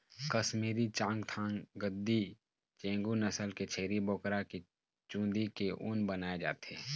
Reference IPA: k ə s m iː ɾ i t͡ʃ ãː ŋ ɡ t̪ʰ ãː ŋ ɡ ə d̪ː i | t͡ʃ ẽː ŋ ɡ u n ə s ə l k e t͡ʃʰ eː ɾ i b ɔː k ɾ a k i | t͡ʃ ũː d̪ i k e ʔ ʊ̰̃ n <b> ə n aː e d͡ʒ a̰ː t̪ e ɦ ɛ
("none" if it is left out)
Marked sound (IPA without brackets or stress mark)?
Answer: b